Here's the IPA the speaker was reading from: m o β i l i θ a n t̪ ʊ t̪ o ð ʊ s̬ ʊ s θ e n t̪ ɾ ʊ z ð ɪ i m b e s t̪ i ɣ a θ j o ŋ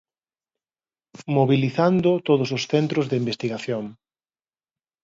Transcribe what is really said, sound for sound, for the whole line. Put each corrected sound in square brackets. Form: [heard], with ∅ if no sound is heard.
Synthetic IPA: m o β i l i θ a n [d̪] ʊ t̪ o ð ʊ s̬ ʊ s θ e n t̪ ɾ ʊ z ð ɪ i m b e s t̪ i ɣ a θ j o ŋ